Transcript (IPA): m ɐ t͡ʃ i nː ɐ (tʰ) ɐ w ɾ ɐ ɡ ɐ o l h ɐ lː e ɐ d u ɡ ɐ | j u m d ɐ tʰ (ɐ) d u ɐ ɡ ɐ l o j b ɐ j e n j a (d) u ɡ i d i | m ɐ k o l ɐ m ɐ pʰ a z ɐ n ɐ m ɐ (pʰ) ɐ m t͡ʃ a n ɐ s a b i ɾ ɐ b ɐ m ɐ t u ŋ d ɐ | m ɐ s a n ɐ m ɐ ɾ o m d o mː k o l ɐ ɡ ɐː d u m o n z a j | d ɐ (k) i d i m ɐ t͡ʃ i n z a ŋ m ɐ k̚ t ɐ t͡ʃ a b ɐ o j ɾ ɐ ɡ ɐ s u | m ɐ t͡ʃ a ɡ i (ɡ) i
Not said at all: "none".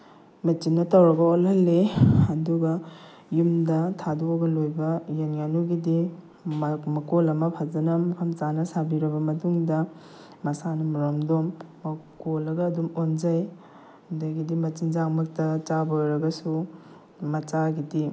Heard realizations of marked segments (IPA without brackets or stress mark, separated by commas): t, a, n, kʰ, ɡ, d